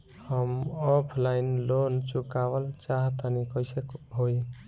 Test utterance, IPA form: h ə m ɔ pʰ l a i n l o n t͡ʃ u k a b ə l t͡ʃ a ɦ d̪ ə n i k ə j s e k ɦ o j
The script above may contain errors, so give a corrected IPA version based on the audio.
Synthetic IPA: h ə m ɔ pʰ l a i n l o n t͡ʃ u k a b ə l t͡ʃ a ɦ t̪ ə n i k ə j s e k ɦ o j